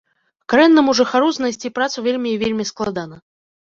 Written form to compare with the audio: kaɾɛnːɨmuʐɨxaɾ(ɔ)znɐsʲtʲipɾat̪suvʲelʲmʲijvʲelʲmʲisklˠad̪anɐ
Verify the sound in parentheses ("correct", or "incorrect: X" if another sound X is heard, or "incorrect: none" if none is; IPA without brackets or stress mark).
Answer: incorrect: u